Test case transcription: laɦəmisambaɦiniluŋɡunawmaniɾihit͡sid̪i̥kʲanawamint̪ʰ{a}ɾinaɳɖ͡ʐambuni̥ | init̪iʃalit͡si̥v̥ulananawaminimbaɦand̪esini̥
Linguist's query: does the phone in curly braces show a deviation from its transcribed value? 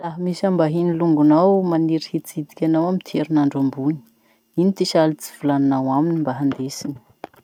yes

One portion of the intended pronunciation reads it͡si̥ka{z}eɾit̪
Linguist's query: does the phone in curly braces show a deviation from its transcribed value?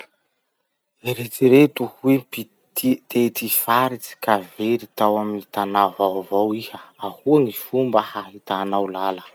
yes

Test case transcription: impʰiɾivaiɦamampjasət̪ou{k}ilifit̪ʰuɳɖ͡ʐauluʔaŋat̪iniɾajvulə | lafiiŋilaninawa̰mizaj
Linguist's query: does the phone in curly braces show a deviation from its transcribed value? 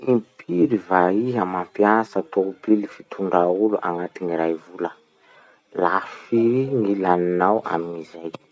yes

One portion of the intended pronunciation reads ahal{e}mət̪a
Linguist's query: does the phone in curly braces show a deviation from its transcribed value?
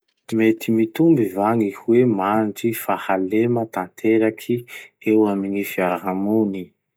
no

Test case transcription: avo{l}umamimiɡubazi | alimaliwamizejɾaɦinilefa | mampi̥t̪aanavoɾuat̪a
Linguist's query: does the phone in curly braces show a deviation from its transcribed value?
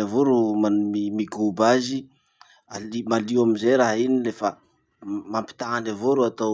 yes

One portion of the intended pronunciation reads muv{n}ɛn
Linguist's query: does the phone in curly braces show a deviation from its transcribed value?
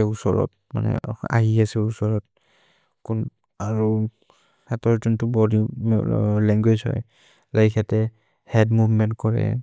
yes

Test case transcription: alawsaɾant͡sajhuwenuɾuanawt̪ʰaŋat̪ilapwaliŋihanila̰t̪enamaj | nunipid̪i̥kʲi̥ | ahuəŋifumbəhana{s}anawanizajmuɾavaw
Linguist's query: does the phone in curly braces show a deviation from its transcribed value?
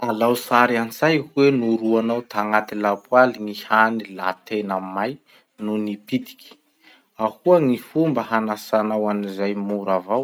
no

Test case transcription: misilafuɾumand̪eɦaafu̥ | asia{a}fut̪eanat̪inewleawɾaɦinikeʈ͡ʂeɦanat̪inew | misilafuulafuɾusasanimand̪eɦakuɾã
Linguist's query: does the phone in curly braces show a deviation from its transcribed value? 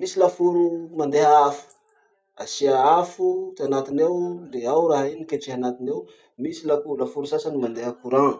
no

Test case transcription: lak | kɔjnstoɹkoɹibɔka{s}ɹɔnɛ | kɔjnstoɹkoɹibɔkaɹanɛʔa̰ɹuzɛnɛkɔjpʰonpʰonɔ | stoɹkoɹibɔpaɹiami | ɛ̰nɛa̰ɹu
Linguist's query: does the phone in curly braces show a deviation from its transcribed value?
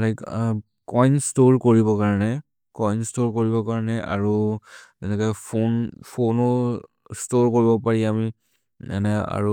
yes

